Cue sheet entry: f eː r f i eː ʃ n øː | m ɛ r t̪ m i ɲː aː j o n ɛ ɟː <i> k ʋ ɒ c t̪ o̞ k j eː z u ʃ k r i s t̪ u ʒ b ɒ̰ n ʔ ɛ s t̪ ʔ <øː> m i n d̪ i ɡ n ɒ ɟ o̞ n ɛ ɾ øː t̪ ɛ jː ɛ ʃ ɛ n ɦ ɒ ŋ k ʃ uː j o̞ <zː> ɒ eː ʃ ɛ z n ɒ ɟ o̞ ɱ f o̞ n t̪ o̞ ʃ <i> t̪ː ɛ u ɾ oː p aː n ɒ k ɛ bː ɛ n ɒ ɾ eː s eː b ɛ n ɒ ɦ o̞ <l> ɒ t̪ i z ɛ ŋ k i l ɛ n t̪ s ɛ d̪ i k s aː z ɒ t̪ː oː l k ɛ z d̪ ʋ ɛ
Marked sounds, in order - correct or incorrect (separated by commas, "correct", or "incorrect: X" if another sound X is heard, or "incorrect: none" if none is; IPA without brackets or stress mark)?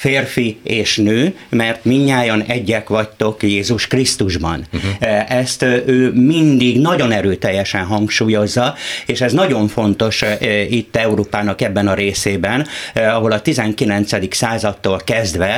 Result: incorrect: ɛ, correct, correct, correct, correct